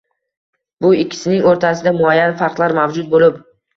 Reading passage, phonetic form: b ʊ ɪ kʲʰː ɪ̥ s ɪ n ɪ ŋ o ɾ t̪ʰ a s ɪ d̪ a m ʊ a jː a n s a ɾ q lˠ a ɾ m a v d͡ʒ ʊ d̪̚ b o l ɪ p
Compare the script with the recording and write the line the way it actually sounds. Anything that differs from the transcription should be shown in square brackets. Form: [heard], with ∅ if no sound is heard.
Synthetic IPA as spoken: b ʊ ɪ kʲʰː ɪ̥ s ɪ n ɪ ŋ o ɾ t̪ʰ a s ɪ d̪ a m ʊ a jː a n [f] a ɾ q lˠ a ɾ m a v d͡ʒ ʊ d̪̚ b o l ɪ p